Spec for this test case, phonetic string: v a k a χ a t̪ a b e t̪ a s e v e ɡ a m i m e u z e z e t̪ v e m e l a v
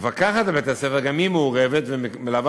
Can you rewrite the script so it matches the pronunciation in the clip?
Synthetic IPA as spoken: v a k a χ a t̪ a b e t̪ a s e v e ɡ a m i m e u ʁ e v e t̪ v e m e l a v